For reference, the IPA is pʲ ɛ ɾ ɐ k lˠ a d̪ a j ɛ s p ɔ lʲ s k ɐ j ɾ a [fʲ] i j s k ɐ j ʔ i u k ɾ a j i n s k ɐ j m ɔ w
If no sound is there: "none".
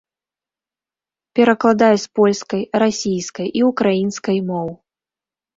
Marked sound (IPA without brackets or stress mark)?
sʲ